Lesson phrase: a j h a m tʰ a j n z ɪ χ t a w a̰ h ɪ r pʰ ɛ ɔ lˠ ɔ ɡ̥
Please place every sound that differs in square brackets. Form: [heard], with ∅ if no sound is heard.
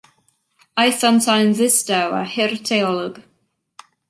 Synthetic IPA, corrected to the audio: a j [θ] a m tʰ a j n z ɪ [s] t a w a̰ h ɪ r [tʰ] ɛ ɔ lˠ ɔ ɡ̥